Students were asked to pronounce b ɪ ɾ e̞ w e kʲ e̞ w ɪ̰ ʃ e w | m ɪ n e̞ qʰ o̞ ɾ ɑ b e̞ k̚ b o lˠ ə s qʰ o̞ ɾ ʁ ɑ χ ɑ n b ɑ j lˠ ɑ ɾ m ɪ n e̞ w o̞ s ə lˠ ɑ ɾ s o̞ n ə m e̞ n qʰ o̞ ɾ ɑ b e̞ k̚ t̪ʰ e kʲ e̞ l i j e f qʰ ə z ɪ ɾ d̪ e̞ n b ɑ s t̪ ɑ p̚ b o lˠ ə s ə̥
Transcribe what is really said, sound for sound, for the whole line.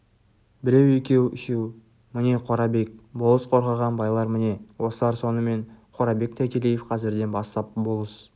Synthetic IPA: b ɪ ɾ e̞ w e kʲ e̞ w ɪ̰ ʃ e w | m ɪ n e̞ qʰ o̞ ɾ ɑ b e̞ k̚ b o lˠ ə s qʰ o̞ ɾ ʁ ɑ ʁ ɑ n b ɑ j lˠ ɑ ɾ m ɪ n e̞ w o̞ s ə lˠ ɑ ɾ s o̞ n ə m e̞ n qʰ o̞ ɾ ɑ b e̞ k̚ t̪ʰ æ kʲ e̞ l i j e f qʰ ɑ z ɪ ɾ d̪ e̞ n b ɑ s t̪ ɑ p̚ b o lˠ ə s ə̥

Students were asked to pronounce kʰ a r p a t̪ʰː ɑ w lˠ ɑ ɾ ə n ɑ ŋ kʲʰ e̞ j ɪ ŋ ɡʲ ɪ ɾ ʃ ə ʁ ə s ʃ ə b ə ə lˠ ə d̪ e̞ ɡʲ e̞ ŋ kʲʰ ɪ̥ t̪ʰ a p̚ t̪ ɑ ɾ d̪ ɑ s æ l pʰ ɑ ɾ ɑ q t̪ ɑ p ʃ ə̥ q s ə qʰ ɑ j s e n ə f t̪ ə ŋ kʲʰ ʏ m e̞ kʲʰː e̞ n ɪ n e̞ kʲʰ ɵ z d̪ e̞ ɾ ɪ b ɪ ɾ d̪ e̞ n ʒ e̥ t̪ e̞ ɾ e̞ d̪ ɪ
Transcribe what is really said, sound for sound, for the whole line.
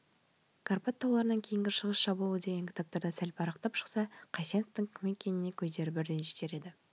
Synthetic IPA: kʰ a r p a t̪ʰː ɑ w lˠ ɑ ɾ ə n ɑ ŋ kʲʰ e̞ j ɪ ŋ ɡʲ ɪ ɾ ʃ ə ʁ ə s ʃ ɑ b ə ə lˠ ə d̪ e̞ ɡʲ e̞ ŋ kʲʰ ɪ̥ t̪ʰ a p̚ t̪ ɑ ɾ d̪ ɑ s æ l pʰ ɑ ɾ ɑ q t̪ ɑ p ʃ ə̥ q s ɑ qʰ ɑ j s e n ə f t̪ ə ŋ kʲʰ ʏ m e̞ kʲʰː e̞ n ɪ n e̞ kʲʰ ɵ z d̪ e̞ ɾ ɪ b ɪ ɾ d̪ e̞ n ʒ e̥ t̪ e̞ ɾ e̞ d̪ ɪ

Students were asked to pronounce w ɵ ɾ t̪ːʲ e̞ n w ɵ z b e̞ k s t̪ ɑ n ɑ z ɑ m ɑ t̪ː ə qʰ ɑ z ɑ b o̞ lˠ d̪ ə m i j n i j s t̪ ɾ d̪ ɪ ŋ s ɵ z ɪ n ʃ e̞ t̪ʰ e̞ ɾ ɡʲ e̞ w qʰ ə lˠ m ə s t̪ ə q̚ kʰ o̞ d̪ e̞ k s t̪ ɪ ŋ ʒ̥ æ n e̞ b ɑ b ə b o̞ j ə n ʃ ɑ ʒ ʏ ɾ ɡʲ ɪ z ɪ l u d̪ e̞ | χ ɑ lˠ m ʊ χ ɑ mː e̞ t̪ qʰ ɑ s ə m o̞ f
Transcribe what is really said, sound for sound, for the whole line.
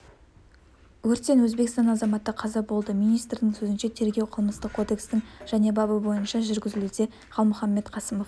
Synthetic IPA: w ɵ ɾ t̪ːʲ e̞ n w ɵ z b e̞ k s t̪ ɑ n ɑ z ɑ m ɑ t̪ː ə qʰ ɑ z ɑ b o̞ lˠ d̪ ə m i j n i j s t̪ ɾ d̪ ɪ ŋ s ɵ z ɪ n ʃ e̞ t̪ʰ e̞ ɾ ɡʲ e̞ w qʰ ə lˠ m ə s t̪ ə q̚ kʰ o̞ d̪ e̞ k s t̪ ɪ ŋ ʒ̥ æ n e̞ b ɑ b ə b o̞ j ə n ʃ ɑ ʒ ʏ ɾ ɡʲ ɪ z ɪ l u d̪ e̞ | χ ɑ lˠ m ʊ χ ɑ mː e̞ t̪ qʰ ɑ s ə m o̞ f

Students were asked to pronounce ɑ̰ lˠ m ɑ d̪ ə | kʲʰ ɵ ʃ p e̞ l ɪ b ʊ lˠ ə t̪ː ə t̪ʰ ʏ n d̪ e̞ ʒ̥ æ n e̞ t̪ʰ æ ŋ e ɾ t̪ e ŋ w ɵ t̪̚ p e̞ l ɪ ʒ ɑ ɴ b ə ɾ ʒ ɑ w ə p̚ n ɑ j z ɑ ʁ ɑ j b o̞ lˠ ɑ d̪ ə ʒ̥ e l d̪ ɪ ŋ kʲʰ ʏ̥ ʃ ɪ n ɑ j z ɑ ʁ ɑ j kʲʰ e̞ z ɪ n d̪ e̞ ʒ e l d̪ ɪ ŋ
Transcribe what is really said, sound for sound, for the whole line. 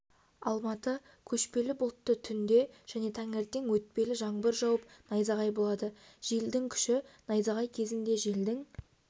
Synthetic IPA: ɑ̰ lˠ m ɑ t̪ ə | kʲʰ ɵ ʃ p e̞ l ɪ b ʊ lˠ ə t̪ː ə t̪ʰ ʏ n d̪ e̞ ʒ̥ æ n e̞ t̪ʰ æ ŋ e ɾ t̪ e ŋ w ɵ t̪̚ p e̞ l ɪ ʒ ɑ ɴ b ə ɾ ʒ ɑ w ə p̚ n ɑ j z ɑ ʁ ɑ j b o̞ lˠ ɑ d̪ ə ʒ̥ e l d̪ ɪ ŋ kʲʰ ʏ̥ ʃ ɪ n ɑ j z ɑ ʁ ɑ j kʲʰ e̞ z ɪ n d̪ e̞ ʒ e l d̪ ɪ ŋ

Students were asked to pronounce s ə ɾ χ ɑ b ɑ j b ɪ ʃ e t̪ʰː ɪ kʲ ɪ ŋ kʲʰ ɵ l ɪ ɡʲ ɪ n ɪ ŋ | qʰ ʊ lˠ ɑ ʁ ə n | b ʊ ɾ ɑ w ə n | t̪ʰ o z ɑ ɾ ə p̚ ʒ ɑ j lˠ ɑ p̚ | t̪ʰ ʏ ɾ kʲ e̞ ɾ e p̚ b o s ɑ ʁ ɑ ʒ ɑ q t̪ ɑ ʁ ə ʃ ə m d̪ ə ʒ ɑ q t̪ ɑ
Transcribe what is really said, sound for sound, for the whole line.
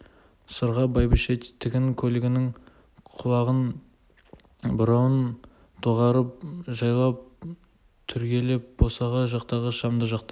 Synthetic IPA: s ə ɾ ʁ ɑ b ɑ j b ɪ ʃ e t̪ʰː ɪ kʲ ɪ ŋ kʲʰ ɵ l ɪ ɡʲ ɪ n ɪ ŋ | qʰ ʊ lˠ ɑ ʁ ə n | b ʊ ɾ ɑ w ə n | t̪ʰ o ʁ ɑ ɾ ə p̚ ʒ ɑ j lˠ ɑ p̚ | t̪ʰ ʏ ɾ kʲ e̞ l e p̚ b o s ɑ ʁ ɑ ʒ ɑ q t̪ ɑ ʁ ə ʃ ɑ m d̪ ə ʒ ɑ q t̪ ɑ

